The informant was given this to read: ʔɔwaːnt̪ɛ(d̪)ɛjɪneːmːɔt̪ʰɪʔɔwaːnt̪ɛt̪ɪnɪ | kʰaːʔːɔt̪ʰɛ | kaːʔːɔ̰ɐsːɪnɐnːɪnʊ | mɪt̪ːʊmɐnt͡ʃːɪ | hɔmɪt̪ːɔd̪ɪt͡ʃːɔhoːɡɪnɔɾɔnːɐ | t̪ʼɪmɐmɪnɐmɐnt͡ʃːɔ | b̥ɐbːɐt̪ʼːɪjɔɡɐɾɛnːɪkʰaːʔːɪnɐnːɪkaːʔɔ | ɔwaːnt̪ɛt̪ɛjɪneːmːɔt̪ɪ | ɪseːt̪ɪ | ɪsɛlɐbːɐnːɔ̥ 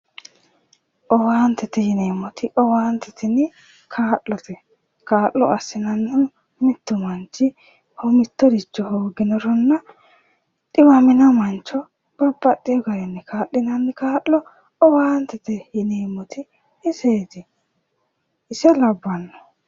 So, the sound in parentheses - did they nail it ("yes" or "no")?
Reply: no